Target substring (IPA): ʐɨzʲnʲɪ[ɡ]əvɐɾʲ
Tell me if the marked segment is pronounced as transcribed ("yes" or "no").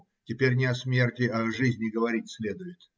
yes